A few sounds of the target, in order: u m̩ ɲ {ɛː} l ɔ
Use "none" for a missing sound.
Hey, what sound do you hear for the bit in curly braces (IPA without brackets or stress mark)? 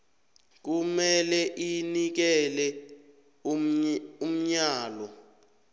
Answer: aː